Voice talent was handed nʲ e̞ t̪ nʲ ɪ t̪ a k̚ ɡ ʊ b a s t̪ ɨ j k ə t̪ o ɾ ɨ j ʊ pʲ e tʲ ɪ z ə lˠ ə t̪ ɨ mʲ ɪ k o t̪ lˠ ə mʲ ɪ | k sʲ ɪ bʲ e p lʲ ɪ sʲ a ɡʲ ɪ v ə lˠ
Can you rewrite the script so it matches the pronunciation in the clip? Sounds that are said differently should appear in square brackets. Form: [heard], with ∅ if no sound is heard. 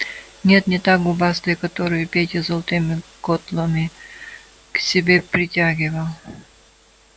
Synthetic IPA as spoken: nʲ e̞ t̪ nʲ ɪ t̪ a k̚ ɡ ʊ b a s t̪ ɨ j k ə t̪ o ɾ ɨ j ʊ pʲ e tʲ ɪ z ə lˠ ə t̪ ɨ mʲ ɪ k o t̪ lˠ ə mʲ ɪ | k sʲ ɪ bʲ e p [ɾʲ] ɪ [tʲ] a ɡʲ ɪ v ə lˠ